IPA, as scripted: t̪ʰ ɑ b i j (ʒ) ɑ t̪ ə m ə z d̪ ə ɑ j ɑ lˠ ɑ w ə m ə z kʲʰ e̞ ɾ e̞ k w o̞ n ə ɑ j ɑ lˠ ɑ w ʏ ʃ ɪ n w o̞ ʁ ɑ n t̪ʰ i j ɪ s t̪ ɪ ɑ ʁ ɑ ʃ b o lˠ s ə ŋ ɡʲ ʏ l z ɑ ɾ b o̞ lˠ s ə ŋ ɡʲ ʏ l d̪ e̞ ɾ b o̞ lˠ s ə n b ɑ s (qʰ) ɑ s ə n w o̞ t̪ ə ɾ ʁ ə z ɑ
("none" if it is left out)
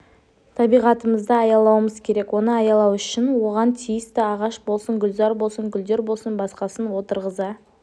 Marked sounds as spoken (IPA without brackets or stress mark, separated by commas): ʁ, q